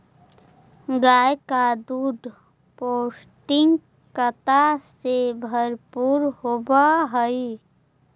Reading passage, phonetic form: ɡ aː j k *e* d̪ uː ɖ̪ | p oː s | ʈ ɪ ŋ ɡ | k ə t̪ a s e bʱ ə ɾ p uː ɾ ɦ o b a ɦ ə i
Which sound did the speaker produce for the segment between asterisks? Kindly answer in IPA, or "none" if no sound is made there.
a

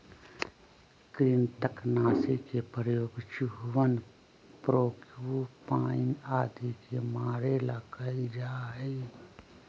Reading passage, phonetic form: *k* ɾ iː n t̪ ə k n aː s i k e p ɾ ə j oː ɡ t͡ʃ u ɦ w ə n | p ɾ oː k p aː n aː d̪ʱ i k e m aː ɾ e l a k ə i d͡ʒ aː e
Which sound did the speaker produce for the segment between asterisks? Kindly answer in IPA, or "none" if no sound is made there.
k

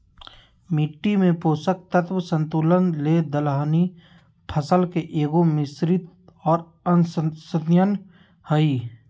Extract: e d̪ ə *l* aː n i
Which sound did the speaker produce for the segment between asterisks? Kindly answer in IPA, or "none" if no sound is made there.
l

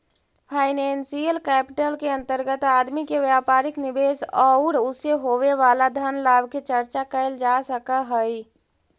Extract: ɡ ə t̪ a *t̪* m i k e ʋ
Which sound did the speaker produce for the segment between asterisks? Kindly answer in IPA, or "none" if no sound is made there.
d̪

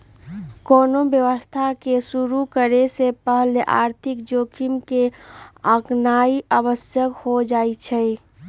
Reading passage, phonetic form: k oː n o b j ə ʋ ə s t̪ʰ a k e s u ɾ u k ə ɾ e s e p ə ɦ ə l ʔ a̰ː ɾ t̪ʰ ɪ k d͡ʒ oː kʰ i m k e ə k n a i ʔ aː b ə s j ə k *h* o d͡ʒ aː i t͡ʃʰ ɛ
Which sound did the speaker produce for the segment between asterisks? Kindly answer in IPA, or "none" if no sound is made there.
h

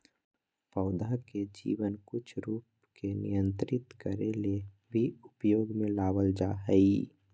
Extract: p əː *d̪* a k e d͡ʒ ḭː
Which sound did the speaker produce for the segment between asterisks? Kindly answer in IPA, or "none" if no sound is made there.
d̪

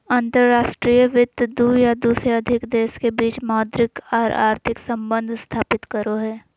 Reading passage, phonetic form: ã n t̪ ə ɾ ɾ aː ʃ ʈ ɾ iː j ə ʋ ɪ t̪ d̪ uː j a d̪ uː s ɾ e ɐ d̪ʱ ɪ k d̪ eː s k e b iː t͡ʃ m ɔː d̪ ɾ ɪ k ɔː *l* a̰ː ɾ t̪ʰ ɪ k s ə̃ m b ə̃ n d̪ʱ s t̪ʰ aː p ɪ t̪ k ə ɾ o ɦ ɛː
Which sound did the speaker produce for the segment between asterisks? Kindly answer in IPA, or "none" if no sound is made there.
ɾ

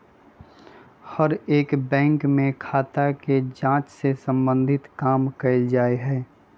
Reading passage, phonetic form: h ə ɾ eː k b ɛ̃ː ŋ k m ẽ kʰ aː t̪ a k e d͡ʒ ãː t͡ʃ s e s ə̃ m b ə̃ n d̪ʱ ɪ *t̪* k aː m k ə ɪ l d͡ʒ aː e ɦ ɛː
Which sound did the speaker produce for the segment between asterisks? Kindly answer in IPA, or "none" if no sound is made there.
t̪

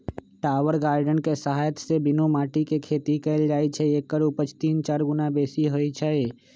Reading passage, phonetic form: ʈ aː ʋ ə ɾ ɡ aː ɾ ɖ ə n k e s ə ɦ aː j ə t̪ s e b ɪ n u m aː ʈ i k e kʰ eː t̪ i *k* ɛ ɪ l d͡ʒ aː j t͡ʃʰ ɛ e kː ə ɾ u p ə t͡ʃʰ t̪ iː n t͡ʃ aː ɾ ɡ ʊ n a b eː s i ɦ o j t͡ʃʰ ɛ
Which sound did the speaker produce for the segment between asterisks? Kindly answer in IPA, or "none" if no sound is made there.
k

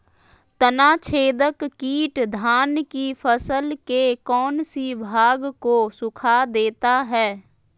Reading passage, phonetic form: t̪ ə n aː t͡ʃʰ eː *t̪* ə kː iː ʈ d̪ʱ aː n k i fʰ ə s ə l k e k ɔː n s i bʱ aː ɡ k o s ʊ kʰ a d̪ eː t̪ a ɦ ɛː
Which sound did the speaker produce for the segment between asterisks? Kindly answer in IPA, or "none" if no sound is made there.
d̪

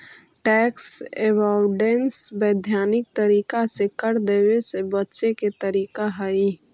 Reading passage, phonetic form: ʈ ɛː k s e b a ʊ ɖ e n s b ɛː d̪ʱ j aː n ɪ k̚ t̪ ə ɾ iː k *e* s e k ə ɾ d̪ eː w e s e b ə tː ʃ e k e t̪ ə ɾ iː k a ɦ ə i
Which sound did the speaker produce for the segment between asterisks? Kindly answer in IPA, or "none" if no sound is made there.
a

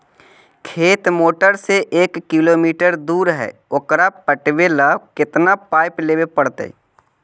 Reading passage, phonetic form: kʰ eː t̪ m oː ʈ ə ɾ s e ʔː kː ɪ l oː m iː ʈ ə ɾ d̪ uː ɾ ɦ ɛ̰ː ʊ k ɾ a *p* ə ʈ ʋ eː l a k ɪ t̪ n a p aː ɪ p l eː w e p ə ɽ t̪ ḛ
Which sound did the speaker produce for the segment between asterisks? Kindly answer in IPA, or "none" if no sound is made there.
p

